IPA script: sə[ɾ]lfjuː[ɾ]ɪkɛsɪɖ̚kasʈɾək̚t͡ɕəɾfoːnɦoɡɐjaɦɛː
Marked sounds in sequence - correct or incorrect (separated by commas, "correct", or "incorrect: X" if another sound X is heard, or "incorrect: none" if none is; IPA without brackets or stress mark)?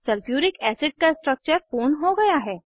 incorrect: none, correct